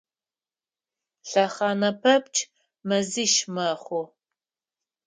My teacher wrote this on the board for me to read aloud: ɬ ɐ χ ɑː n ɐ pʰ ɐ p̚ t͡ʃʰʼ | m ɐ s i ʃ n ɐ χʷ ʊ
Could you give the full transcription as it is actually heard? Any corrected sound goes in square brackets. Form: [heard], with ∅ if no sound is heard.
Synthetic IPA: ɬ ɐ χ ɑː n ɐ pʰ ɐ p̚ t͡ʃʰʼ | m ɐ [z] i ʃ [m] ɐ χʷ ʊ